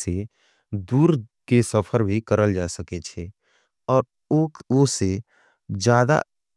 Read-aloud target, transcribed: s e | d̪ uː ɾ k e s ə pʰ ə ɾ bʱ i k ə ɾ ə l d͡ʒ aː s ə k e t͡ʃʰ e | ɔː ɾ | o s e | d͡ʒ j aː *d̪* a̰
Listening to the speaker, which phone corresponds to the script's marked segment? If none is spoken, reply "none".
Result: d̪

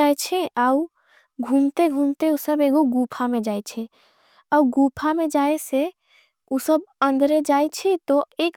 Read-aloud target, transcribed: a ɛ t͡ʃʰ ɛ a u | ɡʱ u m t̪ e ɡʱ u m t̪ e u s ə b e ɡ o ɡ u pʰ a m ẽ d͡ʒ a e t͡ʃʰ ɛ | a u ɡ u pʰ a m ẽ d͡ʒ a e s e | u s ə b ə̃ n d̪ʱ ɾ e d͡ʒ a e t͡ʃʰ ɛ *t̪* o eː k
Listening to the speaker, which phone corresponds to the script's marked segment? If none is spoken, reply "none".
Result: t̪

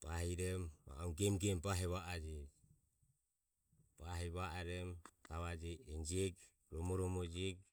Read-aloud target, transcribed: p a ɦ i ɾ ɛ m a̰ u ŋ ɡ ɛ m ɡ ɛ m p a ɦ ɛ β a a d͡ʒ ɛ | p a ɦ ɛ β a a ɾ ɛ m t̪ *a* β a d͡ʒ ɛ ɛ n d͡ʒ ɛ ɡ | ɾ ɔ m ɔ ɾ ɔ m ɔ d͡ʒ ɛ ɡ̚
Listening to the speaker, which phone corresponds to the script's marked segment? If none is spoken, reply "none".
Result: a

